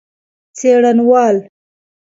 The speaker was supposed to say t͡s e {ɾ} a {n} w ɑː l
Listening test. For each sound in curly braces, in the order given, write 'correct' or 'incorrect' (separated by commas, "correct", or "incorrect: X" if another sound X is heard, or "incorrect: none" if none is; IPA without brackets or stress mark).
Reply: incorrect: ɽ, correct